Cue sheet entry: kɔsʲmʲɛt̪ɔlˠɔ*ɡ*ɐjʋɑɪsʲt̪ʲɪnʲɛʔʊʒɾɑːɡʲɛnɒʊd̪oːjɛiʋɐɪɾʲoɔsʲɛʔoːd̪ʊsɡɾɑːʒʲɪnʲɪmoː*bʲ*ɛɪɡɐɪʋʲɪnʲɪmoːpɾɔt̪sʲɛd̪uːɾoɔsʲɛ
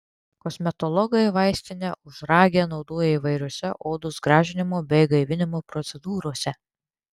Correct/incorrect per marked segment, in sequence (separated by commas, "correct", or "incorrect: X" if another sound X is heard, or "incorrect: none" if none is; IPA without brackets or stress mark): correct, correct